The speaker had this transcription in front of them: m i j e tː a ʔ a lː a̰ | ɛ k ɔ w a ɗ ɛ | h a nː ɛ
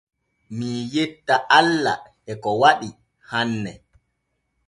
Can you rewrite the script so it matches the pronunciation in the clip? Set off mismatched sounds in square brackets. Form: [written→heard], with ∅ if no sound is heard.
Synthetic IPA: m i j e tː a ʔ a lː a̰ | ɛ k ɔ w a ɗ [ɛ→i] | h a nː ɛ